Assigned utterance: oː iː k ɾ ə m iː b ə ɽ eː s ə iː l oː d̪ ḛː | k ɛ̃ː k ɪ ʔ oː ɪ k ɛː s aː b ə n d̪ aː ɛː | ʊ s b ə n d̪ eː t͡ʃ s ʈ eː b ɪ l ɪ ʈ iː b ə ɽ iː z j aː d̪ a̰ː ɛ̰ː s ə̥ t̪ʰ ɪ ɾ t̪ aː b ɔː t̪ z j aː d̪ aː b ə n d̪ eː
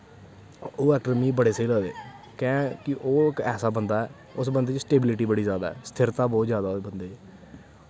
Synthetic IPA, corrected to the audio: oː ɛː k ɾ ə m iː b ə ɽ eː s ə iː l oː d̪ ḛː | k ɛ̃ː k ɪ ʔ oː ɪ k ɛː s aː b ə n d̪ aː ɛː | ʊ s b ə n d̪ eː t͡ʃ s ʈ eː b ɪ l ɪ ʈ iː b ə ɽ iː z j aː d̪ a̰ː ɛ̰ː s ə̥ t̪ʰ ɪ ɾ t̪ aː b ɔː t̪ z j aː d̪ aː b ə n d̪ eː